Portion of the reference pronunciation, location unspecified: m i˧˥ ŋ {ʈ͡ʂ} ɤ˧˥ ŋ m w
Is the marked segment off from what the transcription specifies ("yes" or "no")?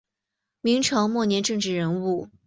yes